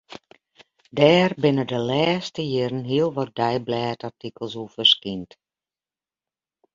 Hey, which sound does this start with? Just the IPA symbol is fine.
d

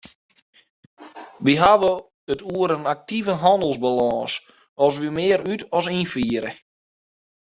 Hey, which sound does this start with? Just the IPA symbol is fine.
ʋ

